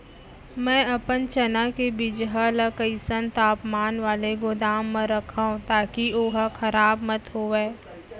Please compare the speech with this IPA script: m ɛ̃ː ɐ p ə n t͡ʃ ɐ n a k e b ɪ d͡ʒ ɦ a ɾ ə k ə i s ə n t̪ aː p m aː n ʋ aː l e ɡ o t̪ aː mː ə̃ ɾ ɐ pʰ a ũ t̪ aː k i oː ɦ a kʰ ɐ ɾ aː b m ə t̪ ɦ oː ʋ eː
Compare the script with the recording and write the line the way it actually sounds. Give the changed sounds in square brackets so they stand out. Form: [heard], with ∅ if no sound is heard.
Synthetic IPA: m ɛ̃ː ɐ p ə n t͡ʃ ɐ n a k e b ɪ d͡ʒ ɦ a [l] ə k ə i s ə n t̪ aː p m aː n ʋ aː l e ɡ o [d̪] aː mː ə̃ ɾ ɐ [kʰ] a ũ t̪ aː k i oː ɦ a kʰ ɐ ɾ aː b m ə t̪ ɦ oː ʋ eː

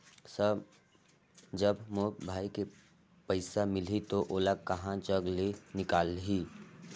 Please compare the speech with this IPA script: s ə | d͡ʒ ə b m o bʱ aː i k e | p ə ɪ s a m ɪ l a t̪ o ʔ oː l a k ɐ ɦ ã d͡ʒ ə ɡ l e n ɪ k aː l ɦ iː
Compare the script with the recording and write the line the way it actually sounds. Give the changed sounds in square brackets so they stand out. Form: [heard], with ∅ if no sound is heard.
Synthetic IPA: s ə | d͡ʒ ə b m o bʱ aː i k e | p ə ɪ s a m ɪ l [i] t̪ o ʔ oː l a k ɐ ɦ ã d͡ʒ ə ɡ l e n ɪ k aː l ɦ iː

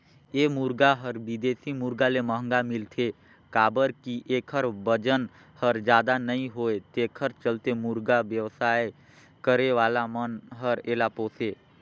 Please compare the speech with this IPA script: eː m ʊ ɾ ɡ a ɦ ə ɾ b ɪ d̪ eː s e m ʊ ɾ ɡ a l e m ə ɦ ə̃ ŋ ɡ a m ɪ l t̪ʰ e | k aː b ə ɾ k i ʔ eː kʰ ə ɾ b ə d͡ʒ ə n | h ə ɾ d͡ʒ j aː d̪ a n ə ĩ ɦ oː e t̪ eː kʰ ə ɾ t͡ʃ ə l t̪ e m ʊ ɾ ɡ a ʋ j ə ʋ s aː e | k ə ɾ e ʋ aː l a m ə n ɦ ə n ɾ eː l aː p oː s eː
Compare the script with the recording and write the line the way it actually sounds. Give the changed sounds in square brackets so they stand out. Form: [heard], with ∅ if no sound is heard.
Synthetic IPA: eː m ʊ ɾ ɡ a ɦ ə ɾ b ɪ d̪ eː s [i] m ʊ ɾ ɡ a l e m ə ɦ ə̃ ŋ ɡ a m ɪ l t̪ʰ e | k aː b ə ɾ k i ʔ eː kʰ ə ɾ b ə d͡ʒ ə n | h ə ɾ d͡ʒ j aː d̪ a n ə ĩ ɦ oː e t̪ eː kʰ ə ɾ t͡ʃ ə l t̪ e m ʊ ɾ ɡ a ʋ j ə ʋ s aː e | k ə ɾ e ʋ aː l a m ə n ɦ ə [∅] ɾ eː l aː p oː s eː

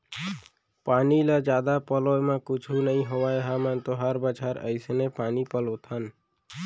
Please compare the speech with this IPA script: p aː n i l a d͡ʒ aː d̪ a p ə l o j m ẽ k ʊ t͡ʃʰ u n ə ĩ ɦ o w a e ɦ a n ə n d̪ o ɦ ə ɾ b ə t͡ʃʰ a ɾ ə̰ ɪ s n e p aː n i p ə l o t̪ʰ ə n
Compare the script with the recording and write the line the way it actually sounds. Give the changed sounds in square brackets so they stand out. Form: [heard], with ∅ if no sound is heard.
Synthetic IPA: p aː n i l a d͡ʒ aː d̪ a p ə l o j m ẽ k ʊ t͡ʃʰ u n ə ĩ ɦ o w a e ɦ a [m] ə n [t̪] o ɦ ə ɾ b ə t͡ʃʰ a ɾ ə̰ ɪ s n e p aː n i p ə l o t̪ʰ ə n

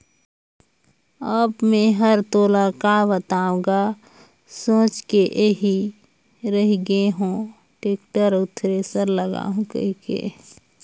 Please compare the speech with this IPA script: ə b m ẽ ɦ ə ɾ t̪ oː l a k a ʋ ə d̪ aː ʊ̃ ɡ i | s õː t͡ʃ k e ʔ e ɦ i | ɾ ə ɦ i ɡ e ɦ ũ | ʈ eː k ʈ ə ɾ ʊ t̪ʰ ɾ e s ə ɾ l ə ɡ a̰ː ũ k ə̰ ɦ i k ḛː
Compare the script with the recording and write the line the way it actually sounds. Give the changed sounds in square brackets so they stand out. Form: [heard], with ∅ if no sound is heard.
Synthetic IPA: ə b m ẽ ɦ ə ɾ t̪ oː l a k a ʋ ə [t̪] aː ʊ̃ ɡ [a] | s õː t͡ʃ k e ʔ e ɦ i | ɾ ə ɦ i ɡ e ɦ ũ | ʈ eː k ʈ ə ɾ ʊ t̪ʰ ɾ e s ə ɾ l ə ɡ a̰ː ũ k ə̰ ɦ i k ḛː

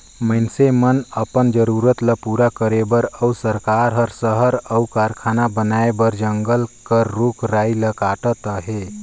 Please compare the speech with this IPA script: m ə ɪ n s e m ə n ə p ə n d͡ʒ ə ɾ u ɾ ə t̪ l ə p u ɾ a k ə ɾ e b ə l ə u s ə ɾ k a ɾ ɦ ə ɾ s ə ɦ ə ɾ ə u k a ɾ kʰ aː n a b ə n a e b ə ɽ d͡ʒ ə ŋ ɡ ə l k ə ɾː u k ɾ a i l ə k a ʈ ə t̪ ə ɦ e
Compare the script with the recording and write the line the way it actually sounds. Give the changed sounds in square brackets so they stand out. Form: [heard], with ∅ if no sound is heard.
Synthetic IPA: m ə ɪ n s e m ə n ə p ə n d͡ʒ ə ɾ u ɾ ə t̪ l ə p u ɾ a k ə ɾ e b ə [ɾ] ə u s ə ɾ k a ɾ ɦ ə ɾ s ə ɦ ə ɾ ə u k a ɾ kʰ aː n a b ə n a e b ə [ɾ] d͡ʒ ə ŋ ɡ ə l k ə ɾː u k ɾ a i l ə k a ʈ ə t̪ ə ɦ e

